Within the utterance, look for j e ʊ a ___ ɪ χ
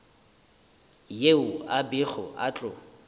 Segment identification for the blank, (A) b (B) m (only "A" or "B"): A